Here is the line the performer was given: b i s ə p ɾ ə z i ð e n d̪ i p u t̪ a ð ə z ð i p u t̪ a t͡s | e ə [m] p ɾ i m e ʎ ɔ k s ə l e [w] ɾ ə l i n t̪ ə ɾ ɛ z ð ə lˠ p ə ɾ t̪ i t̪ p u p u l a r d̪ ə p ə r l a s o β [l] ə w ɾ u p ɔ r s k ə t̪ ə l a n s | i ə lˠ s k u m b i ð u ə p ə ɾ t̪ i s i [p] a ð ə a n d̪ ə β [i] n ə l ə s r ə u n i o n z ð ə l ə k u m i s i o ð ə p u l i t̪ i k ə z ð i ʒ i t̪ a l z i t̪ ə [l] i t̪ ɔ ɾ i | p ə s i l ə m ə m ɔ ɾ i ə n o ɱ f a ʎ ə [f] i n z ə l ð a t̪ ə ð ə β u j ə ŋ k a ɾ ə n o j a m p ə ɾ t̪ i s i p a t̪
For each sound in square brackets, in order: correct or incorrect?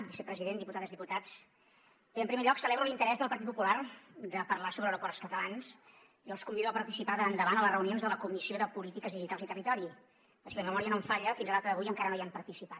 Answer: correct, incorrect, incorrect, correct, incorrect, incorrect, correct

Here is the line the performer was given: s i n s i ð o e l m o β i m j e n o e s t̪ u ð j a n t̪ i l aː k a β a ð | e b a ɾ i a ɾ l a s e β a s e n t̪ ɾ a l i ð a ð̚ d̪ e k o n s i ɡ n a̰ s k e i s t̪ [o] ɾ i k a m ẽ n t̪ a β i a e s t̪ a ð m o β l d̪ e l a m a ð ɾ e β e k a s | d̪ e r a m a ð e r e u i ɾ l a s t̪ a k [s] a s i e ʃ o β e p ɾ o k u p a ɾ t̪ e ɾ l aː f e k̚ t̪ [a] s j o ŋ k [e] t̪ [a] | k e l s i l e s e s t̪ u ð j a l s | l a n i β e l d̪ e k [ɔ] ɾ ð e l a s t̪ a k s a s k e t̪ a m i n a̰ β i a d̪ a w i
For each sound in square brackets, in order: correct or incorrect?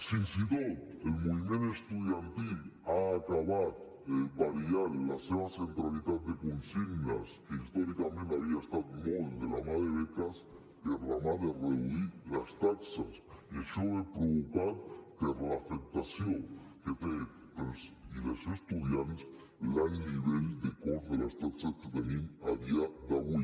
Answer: correct, correct, correct, correct, incorrect, incorrect

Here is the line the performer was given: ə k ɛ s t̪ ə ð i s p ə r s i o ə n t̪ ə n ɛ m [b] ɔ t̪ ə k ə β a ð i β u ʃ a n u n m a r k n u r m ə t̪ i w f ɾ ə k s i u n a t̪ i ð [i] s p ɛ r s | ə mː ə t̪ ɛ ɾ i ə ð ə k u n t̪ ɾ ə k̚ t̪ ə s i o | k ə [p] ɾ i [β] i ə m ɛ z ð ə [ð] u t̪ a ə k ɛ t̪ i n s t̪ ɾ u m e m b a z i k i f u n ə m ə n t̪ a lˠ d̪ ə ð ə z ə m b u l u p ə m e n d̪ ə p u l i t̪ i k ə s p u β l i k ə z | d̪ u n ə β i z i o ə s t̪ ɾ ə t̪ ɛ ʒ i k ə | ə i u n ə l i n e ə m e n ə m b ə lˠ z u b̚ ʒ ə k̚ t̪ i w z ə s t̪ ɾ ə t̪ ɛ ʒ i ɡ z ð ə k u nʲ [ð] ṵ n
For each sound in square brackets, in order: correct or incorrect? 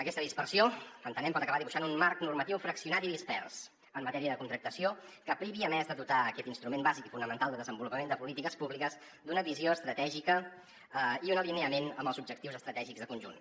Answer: incorrect, correct, correct, correct, correct, incorrect

